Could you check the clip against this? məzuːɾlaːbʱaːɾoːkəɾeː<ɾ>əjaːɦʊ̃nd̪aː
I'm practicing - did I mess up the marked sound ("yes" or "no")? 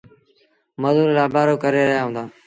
no